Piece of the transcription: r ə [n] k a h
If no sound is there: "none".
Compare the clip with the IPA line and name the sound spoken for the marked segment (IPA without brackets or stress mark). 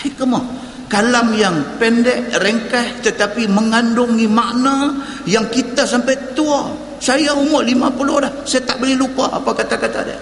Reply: ŋ